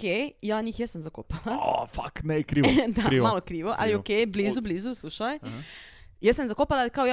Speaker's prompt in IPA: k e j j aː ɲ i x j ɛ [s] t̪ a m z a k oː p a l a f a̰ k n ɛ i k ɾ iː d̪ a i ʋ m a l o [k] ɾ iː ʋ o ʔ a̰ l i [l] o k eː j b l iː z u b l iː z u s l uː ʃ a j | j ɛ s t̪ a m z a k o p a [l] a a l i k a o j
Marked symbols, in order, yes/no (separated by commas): yes, yes, no, yes